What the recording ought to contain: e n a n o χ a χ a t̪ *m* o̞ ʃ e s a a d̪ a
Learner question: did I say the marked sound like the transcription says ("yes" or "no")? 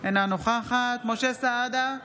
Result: yes